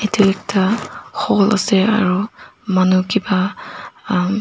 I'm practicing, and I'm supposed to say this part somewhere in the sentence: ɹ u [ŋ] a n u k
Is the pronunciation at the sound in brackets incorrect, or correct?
incorrect: m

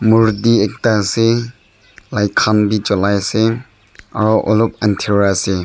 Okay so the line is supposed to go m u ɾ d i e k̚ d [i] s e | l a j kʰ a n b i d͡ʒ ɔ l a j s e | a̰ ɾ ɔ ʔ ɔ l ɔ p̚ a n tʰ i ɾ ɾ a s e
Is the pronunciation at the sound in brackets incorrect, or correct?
incorrect: a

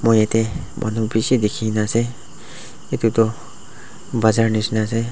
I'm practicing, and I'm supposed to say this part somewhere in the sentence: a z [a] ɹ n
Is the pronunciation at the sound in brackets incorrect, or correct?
correct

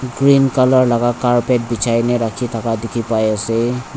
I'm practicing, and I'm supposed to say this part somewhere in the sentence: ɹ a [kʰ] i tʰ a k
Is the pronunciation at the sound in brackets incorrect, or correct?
correct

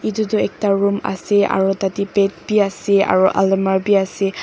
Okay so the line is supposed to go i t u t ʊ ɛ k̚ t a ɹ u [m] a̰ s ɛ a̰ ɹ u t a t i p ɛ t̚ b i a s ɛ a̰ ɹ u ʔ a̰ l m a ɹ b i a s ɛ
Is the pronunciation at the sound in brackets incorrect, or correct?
correct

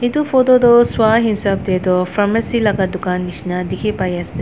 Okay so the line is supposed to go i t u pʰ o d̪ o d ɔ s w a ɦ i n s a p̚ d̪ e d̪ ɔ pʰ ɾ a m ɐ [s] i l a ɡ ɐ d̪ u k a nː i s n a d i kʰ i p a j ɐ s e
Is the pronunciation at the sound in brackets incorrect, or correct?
correct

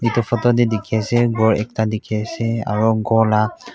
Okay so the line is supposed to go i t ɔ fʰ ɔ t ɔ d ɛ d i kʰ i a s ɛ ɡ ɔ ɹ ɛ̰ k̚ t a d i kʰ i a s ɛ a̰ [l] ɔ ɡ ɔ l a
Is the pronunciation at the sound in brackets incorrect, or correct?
incorrect: ɹ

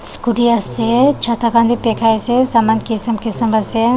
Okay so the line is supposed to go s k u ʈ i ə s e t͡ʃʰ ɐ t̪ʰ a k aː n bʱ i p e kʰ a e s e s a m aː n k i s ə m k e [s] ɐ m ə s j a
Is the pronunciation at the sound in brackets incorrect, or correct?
correct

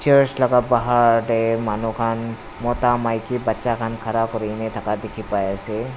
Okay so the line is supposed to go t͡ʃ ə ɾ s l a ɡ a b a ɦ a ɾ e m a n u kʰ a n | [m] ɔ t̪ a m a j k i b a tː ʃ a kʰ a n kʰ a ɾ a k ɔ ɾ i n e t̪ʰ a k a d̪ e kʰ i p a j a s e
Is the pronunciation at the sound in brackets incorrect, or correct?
correct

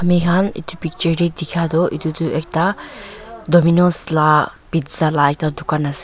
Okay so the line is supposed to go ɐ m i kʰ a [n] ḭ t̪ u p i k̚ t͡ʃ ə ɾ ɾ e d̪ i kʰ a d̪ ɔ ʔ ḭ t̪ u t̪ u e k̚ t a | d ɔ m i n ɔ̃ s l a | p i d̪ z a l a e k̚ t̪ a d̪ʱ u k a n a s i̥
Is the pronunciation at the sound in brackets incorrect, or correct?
correct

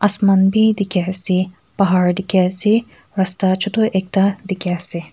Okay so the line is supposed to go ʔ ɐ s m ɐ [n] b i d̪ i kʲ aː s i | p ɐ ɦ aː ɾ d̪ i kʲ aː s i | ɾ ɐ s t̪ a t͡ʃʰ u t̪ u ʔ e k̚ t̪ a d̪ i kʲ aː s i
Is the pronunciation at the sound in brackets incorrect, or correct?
correct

